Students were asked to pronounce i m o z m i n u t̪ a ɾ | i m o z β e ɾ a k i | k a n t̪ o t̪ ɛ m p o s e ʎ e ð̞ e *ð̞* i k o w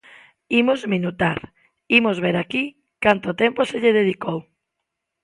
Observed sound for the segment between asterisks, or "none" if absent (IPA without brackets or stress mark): ð̞